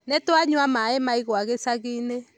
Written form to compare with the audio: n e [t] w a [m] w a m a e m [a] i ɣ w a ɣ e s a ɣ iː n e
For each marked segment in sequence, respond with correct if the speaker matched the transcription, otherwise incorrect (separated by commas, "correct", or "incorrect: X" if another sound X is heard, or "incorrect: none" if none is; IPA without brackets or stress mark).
correct, incorrect: ɲ, correct